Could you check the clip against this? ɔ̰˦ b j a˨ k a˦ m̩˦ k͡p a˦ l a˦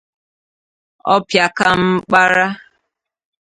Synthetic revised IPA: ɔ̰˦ p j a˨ k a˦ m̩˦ k͡p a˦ ɾ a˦